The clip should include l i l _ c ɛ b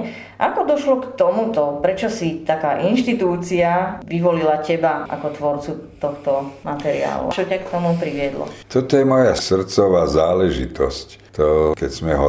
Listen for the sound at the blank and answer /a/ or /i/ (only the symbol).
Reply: a